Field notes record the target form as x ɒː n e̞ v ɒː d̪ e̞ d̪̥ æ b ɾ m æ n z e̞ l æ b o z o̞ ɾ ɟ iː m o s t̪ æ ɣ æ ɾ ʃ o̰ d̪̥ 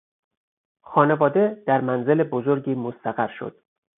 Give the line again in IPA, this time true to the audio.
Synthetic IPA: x ɒː n e̞ v ɒː d̪ e̞ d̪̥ æ ɾ m æ n z e̞ l e b o z o̞ ɾ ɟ iː m o s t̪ æ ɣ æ ɾ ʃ o̰ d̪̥